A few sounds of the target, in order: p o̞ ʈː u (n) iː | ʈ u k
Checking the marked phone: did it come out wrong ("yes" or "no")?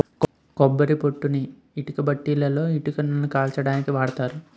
no